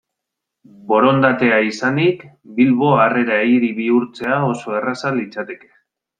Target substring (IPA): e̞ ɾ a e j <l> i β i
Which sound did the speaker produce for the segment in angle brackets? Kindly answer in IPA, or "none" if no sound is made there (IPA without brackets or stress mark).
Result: ɾ